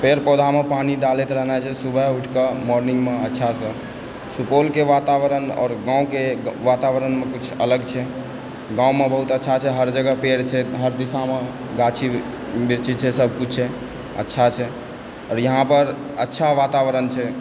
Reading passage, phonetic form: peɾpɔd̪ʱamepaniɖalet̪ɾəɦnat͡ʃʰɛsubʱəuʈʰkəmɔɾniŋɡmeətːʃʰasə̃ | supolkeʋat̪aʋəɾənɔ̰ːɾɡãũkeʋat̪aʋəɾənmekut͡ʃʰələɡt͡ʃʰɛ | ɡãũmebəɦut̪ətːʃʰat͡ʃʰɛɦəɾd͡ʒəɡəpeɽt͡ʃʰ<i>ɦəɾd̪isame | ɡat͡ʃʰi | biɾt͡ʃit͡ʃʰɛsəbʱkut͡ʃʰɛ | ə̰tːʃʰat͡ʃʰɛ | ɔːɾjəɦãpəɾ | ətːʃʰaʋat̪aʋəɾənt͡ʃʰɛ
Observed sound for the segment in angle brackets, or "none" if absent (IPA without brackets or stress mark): ɛ